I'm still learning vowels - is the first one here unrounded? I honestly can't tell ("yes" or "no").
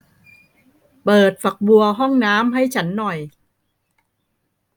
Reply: yes